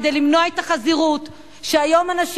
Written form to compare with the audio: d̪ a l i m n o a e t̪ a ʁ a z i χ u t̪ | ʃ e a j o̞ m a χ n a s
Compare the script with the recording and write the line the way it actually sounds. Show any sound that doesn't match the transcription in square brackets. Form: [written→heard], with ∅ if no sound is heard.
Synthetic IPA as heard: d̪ [a→e] l i m n o a e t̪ a [ʁ→χ] a z i [χ→ʁ] u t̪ | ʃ e a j o̞ m a [χ→∅] n a [s→ʃ]